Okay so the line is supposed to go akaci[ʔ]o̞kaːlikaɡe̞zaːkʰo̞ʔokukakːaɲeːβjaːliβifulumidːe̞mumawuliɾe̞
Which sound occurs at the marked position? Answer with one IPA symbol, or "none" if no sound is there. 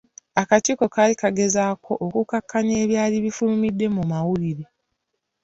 k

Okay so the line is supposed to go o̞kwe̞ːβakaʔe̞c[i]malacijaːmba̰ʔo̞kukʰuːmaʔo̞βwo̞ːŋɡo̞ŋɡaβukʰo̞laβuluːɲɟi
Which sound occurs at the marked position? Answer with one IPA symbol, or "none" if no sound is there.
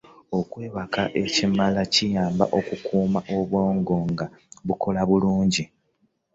i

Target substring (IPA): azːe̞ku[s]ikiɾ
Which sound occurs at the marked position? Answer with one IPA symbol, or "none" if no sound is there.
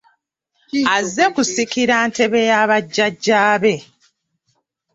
s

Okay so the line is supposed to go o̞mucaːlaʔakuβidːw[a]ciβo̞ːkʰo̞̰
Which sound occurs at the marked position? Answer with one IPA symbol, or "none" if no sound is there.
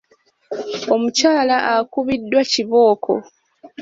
a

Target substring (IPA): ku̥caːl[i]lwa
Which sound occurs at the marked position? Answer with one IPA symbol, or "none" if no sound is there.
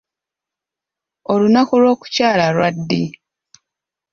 a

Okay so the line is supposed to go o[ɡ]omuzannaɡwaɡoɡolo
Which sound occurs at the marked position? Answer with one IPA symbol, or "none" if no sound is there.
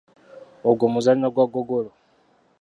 ɡ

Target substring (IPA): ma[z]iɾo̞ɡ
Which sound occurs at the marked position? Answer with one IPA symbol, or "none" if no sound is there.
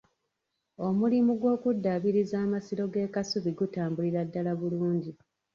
s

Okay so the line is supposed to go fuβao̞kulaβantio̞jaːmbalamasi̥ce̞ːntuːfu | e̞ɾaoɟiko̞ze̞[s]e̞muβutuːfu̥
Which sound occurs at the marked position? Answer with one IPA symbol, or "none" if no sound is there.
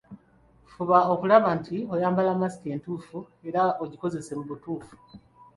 s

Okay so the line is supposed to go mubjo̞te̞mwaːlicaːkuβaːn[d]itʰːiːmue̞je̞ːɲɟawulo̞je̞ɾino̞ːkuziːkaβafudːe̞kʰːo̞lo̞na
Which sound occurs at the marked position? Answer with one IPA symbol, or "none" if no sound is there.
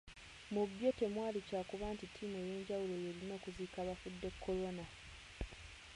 t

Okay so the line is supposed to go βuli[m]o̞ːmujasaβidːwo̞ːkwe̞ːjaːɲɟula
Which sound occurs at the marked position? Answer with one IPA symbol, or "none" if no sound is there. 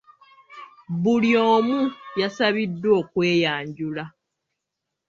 none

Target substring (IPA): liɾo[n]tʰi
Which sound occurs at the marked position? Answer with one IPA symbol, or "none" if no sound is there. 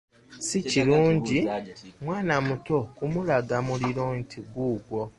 n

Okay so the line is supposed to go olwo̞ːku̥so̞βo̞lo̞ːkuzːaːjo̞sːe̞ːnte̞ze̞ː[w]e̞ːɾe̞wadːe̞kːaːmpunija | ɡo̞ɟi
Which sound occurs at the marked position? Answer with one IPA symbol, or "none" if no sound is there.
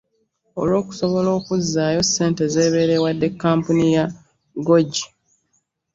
β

